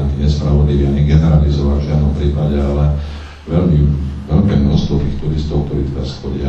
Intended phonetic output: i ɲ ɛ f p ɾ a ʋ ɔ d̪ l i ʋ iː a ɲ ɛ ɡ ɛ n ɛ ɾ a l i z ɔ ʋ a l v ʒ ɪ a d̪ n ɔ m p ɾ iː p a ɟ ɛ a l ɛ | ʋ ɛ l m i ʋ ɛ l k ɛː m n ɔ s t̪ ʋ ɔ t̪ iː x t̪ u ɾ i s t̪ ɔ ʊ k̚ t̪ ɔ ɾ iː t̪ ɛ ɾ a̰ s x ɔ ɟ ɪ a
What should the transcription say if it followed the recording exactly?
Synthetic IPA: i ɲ ɛ s p ɾ a ʋ ɔ d̪ l i ʋ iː a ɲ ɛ ɡ ɛ n ɛ ɾ a l i z ɔ ʋ a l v ʒ ɪ a d̪ n ɔ m p ɾ iː p a ɟ ɛ a l ɛ | ʋ ɛ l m i ʋ ɛ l k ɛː m n ɔ s t̪ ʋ ɔ t̪ iː x t̪ u ɾ i s t̪ ɔ ʊ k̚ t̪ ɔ ɾ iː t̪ ɛ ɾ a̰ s x ɔ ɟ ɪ a